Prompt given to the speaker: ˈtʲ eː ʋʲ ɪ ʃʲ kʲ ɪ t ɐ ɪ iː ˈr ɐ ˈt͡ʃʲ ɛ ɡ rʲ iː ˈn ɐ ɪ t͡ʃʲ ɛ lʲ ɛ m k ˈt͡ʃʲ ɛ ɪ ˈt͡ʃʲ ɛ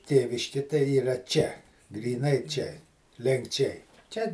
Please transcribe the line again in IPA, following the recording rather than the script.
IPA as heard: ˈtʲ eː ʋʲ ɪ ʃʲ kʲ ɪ t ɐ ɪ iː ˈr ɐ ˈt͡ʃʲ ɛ ɡ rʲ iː ˈn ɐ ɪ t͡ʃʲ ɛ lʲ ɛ ŋ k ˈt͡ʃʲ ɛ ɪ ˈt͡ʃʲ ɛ